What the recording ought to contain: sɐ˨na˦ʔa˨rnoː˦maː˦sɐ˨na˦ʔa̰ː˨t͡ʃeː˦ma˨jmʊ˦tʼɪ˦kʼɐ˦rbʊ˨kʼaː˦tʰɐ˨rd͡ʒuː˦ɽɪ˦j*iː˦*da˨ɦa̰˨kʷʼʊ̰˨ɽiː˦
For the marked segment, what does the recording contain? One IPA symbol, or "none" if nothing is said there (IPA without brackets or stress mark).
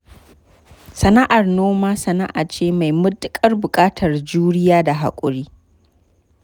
aː˦